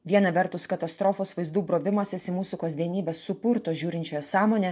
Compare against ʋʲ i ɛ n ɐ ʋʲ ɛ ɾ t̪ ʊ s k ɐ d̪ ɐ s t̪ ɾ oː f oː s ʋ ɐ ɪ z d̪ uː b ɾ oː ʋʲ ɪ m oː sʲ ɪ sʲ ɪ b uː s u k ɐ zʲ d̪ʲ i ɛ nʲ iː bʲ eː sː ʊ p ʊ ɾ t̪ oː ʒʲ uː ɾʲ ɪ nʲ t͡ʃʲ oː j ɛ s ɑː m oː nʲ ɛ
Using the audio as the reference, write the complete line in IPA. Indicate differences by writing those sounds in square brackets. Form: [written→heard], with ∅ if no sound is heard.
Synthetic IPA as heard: ʋʲ i ɛ n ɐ ʋʲ ɛ ɾ t̪ ʊ s k ɐ [d̪→t̪] ɐ s t̪ ɾ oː f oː s ʋ ɐ ɪ z d̪ uː b ɾ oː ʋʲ ɪ m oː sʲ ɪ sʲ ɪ [b→m] uː s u k ɐ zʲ d̪ʲ i ɛ nʲ iː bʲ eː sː ʊ p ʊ ɾ t̪ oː ʒʲ uː ɾʲ ɪ nʲ t͡ʃʲ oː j ɛ s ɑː m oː nʲ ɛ

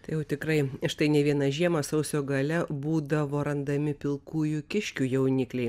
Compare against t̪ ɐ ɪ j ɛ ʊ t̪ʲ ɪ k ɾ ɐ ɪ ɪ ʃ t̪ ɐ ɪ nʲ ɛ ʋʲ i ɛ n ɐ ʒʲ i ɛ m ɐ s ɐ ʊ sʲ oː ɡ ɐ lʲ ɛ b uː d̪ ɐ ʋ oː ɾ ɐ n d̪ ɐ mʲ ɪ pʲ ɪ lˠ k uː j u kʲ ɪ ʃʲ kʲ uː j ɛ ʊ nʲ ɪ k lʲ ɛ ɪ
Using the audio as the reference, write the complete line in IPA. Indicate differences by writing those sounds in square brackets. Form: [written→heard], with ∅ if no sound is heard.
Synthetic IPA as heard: t̪ ɐ ɪ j ɛ ʊ t̪ʲ ɪ k ɾ ɐ ɪ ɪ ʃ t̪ ɐ ɪ nʲ ɛ ʋʲ i ɛ n ɐ ʒʲ i ɛ m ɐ s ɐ ʊ sʲ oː ɡ ɐ lʲ ɛ b uː d̪ ɐ ʋ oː ɾ ɐ n d̪ ɐ mʲ ɪ pʲ ɪ lˠ k uː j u kʲ ɪ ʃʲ kʲ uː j ɛ ʊ nʲ ɪ k lʲ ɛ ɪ

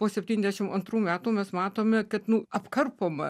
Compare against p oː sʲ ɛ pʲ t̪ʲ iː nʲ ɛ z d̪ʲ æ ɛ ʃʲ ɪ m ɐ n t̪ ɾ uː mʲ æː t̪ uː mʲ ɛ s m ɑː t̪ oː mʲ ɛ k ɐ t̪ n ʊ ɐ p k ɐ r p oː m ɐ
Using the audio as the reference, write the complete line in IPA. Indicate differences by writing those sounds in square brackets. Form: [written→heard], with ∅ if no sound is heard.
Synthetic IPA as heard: p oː sʲ ɛ pʲ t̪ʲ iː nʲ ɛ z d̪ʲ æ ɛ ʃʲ ɪ m ɐ n t̪ ɾ uː mʲ æː t̪ uː mʲ ɛ s m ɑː t̪ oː mʲ ɛ k ɐ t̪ n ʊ ɐ p k ɐ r p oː m ɐ

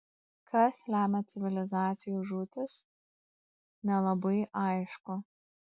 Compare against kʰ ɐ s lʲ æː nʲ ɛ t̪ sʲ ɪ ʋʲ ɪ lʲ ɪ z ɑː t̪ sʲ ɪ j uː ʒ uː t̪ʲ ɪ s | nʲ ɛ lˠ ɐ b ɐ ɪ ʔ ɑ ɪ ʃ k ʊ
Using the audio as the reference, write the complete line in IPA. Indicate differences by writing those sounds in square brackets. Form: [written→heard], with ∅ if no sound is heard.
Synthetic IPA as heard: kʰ ɐ s lʲ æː [nʲ→mʲ] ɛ t̪ sʲ ɪ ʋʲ ɪ lʲ ɪ z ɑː t̪ sʲ ɪ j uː ʒ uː t̪ʲ ɪ s | nʲ ɛ lˠ ɐ b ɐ ɪ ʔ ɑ ɪ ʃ k ʊ

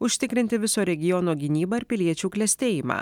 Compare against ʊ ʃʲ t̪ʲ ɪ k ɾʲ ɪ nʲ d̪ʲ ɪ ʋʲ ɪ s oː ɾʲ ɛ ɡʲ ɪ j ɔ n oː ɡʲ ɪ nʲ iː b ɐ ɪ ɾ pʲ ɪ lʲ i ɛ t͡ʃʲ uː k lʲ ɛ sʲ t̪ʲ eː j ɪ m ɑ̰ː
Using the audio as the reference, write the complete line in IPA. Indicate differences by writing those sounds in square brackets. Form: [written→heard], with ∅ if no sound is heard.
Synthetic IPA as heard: ʊ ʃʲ t̪ʲ ɪ k ɾʲ ɪ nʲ [d̪ʲ→t̪ʲ] ɪ ʋʲ ɪ s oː ɾʲ ɛ ɡʲ ɪ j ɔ n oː ɡʲ ɪ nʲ iː b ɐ ɪ ɾ pʲ ɪ lʲ i ɛ t͡ʃʲ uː k lʲ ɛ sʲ t̪ʲ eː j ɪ m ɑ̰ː

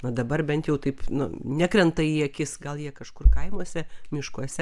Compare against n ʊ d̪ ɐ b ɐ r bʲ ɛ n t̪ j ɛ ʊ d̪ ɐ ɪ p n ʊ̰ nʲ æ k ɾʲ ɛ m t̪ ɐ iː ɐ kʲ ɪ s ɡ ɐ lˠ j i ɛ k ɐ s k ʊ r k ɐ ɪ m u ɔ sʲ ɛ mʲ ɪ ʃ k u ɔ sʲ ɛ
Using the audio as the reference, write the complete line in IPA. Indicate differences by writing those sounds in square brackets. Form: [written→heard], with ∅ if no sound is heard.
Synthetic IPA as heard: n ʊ d̪ ɐ b ɐ r bʲ ɛ n t̪ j ɛ ʊ [d̪→t̪] ɐ ɪ p n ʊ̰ nʲ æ k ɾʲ ɛ [m→n] t̪ ɐ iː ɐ kʲ ɪ s ɡ ɐ lˠ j i ɛ k ɐ [s→ʃ] k ʊ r k ɐ ɪ m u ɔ sʲ ɛ mʲ ɪ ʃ k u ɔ sʲ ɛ

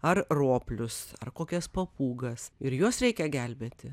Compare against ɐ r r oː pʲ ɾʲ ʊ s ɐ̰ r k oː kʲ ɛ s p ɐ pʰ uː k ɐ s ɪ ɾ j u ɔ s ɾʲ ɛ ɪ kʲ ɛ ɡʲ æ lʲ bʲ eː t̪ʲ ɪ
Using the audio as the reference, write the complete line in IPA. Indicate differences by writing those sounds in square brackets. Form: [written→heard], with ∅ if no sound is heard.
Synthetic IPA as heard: ɐ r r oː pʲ [ɾʲ→lʲ] ʊ s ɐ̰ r k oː kʲ ɛ s p ɐ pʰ uː [k→ɡ] ɐ s ɪ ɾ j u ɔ s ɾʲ ɛ ɪ kʲ ɛ ɡʲ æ lʲ bʲ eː t̪ʲ ɪ

